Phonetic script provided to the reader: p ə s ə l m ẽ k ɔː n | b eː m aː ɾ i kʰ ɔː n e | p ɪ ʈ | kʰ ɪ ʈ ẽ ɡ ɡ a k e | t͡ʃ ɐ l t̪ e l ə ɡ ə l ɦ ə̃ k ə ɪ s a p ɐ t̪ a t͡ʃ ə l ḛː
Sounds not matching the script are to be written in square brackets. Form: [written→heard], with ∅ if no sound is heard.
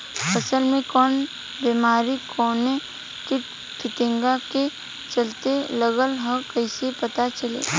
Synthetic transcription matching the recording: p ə s ə l m ẽ k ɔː n | b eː m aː ɾ i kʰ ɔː n e | [p→k] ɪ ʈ | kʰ ɪ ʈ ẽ [ɡ→ŋ] ɡ a k e | t͡ʃ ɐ l t̪ e l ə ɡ ə l ɦ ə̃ k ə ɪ s [a→e] p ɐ t̪ a t͡ʃ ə l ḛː